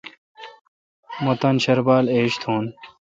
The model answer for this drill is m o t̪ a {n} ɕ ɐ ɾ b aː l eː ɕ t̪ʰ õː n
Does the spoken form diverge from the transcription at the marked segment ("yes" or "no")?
no